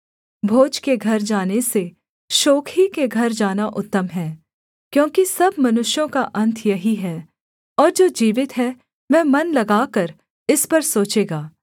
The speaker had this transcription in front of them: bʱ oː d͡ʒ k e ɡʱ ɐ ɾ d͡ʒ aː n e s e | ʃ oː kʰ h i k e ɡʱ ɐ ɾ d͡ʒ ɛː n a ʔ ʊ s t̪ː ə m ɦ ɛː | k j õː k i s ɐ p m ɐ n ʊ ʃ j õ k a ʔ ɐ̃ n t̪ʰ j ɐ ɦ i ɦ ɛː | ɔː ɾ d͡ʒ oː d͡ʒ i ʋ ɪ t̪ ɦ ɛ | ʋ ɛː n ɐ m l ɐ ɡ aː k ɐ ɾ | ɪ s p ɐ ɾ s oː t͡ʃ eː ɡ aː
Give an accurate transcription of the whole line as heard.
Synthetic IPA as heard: bʱ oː d͡ʒ k e ɡʱ ɐ ɾ d͡ʒ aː n e s e | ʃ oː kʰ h i k e ɡʱ ɐ ɾ d͡ʒ aː n a ʔ ʊ t̪ː ə m ɦ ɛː | k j õː k i s ɐ b m ɐ n ʊ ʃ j õ k a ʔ ɐ̃ n t̪ʰ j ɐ ɦ i ɦ ɛː | ɔː ɾ d͡ʒ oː d͡ʒ iː ʋ ɪ t̪ ɦ ɛ | ʋ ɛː m ɐ n l ɐ ɡ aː k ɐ ɾ | ɪ s p ɐ ɾ s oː t͡ʃ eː ɡ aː